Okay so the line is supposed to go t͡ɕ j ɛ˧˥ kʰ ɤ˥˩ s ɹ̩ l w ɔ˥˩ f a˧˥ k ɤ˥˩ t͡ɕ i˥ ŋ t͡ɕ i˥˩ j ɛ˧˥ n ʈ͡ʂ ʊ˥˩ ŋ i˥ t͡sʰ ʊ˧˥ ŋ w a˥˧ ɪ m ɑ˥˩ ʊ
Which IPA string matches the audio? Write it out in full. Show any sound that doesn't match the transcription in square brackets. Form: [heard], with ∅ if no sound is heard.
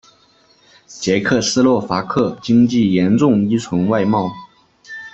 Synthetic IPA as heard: t͡ɕ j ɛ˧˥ kʰ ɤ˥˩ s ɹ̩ l w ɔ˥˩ f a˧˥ [kʰ] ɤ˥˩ t͡ɕ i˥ ŋ t͡ɕ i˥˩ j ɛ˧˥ n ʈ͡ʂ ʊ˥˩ ŋ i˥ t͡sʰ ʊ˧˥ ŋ w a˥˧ ɪ m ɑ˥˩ ʊ